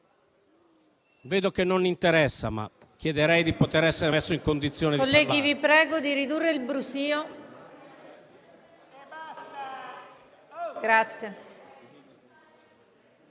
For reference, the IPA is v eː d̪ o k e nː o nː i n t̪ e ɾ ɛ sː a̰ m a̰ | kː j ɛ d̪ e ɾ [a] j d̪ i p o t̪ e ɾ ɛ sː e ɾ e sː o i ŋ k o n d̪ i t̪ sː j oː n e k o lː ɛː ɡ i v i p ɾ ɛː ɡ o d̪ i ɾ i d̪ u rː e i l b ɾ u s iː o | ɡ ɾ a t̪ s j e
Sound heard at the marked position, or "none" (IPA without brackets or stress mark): ɛ